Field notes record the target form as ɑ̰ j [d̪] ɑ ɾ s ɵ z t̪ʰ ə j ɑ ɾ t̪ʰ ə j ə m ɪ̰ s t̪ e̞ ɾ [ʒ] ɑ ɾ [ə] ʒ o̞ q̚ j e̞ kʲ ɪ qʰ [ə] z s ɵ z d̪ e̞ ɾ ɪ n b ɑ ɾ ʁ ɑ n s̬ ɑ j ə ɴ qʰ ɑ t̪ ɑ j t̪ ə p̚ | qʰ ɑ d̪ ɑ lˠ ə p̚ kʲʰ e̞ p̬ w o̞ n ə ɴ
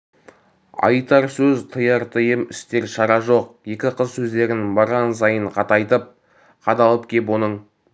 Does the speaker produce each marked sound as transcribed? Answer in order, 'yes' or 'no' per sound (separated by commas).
no, no, no, yes